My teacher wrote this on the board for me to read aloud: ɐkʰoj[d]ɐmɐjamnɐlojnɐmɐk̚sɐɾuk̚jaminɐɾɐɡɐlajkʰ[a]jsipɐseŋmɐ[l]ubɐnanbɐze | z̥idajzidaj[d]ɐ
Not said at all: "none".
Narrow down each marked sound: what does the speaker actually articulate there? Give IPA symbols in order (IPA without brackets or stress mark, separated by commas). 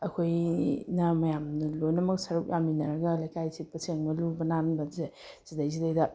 n, a, l, d